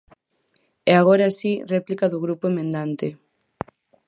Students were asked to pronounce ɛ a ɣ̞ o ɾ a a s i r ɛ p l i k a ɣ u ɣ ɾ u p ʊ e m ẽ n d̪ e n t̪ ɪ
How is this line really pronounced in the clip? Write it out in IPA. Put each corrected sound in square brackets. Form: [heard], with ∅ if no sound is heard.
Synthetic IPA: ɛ a ɣ̞ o ɾ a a s i r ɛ p l i k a [ð] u ɣ ɾ u p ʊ e m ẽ n d̪ [a] n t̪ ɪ